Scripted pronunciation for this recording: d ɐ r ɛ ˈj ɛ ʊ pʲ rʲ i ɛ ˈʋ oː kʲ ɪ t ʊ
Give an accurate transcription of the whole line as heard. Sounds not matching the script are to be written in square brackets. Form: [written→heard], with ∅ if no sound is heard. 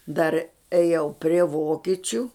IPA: d ɐ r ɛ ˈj ɛ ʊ pʲ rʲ i ɛ ˈʋ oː kʲ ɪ [t→t͡ʃʲ] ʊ